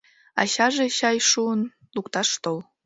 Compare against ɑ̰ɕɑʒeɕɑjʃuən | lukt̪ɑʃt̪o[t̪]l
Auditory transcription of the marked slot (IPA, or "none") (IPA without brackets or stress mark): none